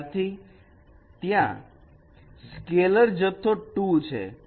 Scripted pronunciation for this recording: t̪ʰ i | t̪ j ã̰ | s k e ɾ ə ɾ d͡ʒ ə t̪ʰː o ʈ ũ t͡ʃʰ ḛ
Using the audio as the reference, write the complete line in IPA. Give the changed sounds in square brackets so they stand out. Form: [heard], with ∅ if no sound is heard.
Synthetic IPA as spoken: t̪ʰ i | t̪ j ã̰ | s k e [l] ə ɾ d͡ʒ ə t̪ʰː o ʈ [u] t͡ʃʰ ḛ